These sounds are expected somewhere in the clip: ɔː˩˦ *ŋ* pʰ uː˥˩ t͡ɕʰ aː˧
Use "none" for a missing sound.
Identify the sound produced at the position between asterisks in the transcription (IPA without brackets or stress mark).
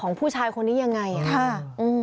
ŋ